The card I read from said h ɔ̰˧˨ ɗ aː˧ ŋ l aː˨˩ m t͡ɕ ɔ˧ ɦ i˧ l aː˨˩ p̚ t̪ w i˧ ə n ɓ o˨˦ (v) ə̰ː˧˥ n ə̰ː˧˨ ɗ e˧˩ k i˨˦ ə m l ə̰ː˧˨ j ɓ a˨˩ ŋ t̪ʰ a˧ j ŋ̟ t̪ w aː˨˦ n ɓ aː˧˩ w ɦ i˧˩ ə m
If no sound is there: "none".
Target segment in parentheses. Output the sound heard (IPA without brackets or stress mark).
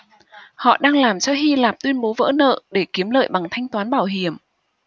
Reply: v